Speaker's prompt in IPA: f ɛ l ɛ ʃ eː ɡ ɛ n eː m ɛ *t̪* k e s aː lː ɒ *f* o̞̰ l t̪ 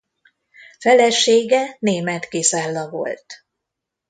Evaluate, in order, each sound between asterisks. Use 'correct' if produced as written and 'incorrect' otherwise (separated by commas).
correct, incorrect